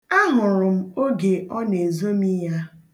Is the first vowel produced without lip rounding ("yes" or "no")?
yes